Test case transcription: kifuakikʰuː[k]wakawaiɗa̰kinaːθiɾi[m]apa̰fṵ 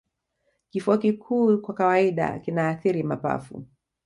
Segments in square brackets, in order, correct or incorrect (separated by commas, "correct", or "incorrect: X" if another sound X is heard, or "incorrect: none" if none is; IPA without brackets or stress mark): correct, correct